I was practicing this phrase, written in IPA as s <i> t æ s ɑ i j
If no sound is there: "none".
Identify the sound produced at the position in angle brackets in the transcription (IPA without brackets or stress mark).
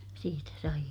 iː